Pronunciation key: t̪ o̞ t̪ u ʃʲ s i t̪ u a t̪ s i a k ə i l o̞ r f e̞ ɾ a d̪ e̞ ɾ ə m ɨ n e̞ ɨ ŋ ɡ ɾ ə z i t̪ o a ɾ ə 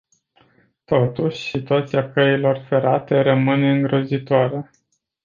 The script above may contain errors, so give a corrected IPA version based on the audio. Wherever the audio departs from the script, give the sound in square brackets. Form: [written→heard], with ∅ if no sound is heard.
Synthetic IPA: t̪ o̞ t̪ u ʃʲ s i t̪ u a t̪ s i a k ə i l o̞ r f e̞ ɾ a [d̪→t̪] e̞ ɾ ə m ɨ n e̞ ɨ ŋ ɡ ɾ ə z i t̪ o a ɾ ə